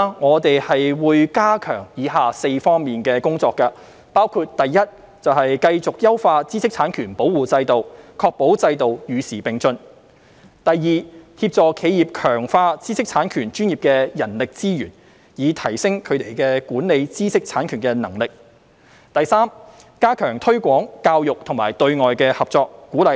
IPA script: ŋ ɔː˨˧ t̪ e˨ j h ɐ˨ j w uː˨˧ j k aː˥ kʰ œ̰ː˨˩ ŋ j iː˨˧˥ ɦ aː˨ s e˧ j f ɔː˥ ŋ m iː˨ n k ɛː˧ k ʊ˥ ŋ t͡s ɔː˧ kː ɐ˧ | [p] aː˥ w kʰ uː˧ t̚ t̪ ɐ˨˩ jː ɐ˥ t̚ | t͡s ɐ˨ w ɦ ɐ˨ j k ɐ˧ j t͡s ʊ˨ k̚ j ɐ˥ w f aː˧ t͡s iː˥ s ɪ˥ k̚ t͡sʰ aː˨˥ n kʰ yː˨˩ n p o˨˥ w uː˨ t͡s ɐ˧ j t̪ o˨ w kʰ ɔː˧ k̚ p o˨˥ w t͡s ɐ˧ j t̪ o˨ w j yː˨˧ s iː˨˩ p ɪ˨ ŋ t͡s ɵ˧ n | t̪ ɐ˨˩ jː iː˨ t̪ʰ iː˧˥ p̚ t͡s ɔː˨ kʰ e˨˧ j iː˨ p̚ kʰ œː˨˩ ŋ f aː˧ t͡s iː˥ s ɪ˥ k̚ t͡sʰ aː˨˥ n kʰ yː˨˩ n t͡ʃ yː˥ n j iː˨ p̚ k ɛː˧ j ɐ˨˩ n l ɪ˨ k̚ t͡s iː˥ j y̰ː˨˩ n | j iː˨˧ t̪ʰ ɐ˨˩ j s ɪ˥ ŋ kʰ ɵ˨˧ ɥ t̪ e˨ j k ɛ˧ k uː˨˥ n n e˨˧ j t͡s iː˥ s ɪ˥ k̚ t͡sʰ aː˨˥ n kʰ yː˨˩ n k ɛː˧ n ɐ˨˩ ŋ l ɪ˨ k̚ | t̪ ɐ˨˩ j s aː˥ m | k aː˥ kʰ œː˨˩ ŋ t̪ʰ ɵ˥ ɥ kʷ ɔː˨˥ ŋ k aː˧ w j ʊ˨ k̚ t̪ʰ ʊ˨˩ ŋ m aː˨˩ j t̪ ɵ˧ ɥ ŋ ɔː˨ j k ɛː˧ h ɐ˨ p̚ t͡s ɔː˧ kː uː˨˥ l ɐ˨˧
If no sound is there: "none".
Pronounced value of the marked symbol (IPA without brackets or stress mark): p